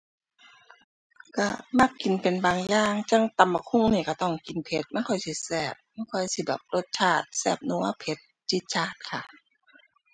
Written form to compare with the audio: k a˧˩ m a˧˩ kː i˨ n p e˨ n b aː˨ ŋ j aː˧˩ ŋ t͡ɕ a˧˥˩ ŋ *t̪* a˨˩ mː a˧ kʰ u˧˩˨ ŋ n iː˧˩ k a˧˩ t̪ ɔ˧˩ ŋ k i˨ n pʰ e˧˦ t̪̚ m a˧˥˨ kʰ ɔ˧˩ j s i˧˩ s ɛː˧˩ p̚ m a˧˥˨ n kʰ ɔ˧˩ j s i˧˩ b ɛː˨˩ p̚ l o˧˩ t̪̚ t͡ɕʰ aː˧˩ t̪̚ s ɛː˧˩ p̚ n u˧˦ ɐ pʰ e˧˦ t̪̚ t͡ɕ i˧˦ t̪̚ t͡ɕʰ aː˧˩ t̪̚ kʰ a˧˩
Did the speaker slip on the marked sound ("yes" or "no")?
no